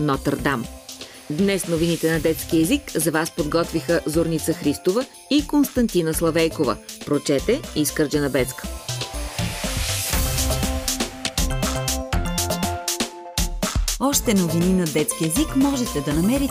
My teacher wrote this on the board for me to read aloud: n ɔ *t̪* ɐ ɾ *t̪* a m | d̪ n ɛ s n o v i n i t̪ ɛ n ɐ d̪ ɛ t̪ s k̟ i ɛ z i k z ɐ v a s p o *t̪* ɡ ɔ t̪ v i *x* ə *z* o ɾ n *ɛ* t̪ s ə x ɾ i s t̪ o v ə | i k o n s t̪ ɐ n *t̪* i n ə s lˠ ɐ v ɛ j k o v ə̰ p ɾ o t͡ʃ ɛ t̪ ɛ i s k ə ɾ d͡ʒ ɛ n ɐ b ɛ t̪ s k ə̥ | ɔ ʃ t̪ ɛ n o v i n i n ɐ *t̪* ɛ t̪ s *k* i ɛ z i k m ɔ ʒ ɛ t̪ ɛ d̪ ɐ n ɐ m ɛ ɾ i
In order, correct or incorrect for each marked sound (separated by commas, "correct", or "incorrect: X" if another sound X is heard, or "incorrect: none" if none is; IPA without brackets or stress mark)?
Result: correct, incorrect: d̪, incorrect: d̪, correct, correct, incorrect: i, correct, incorrect: d̪, correct